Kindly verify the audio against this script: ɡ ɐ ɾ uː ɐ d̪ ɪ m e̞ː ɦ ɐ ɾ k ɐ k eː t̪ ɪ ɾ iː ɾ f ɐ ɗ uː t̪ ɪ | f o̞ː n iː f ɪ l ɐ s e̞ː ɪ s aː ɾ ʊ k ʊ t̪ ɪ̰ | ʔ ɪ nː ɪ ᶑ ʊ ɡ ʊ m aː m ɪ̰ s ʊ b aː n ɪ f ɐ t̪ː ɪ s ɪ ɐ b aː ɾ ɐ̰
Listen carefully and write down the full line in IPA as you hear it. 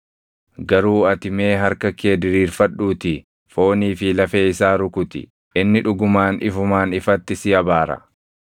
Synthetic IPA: ɡ ɐ ɾ uː ɐ t̪ ɪ m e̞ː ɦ ɐ ɾ k ɐ k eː d̪ ɪ ɾ iː ɾ f ɐ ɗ uː t̪ ɪ | f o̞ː n iː f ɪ l ɐ f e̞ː ɪ s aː ɾ ʊ k ʊ t̪ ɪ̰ | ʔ ɪ nː ɪ ᶑ ʊ ɡ ʊ m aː n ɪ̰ f ʊ m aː n ɪ f ɐ t̪ː ɪ s ɪ ɐ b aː ɾ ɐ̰